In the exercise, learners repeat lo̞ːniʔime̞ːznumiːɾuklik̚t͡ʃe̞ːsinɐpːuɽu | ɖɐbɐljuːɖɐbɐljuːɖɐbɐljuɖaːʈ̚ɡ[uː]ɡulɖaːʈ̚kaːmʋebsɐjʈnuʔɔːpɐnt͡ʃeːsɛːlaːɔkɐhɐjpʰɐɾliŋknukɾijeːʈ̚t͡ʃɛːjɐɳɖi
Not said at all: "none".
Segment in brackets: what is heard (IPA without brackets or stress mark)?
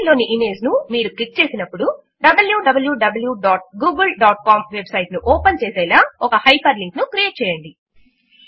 uː